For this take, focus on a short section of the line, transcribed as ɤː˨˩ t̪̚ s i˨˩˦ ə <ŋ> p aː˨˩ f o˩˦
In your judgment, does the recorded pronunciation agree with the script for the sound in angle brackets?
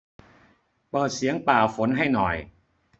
yes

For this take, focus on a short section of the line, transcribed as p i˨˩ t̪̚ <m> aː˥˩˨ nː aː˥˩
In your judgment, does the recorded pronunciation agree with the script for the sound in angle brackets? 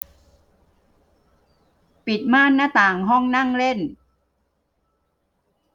yes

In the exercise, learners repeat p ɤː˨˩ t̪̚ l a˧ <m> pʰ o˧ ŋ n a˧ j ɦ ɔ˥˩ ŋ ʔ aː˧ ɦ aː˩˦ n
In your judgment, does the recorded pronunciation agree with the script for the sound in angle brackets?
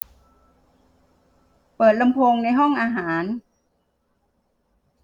yes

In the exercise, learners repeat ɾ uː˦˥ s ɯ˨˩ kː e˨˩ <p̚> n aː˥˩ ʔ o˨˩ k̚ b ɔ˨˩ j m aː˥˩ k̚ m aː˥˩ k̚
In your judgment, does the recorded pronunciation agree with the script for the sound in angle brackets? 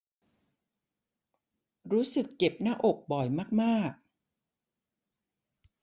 yes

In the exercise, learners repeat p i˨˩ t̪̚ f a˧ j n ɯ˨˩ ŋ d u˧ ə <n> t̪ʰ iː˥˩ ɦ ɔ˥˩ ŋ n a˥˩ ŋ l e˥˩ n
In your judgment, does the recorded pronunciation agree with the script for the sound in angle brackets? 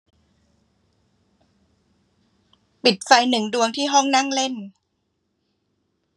no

